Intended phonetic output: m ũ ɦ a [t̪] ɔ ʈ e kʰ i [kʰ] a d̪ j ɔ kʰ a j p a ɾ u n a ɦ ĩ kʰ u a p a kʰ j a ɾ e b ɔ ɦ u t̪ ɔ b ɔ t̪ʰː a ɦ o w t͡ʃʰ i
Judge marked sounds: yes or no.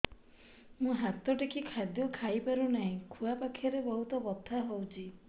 yes, yes

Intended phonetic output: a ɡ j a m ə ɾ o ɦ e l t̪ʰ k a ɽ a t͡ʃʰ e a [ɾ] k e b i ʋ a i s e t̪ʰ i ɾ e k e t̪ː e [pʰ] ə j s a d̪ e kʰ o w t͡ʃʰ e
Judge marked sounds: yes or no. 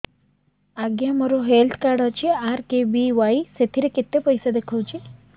yes, no

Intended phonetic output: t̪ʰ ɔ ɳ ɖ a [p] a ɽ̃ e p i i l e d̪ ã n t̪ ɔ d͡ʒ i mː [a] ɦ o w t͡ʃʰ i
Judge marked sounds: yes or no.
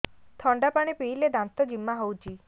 yes, yes

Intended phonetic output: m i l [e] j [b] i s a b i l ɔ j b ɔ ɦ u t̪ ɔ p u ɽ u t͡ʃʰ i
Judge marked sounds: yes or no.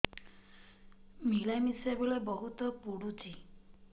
no, no

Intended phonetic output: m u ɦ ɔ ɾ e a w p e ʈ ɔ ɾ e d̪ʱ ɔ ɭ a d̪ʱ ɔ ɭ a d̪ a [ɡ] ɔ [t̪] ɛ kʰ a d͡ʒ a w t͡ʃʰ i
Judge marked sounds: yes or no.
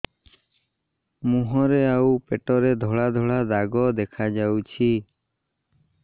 yes, no

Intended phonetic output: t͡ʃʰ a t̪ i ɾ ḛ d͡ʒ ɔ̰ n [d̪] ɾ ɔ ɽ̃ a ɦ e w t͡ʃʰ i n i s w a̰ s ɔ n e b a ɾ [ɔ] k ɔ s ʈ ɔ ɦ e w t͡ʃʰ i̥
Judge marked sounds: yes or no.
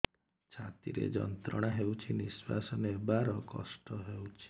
no, yes

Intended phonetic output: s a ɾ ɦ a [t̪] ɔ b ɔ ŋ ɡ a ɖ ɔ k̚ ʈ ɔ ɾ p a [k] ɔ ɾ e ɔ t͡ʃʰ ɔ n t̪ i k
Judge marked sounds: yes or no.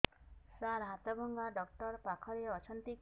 yes, no

